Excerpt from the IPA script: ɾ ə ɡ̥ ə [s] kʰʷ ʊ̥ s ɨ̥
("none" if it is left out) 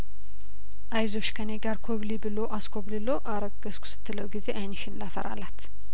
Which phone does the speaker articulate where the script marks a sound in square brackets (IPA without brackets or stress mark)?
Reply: s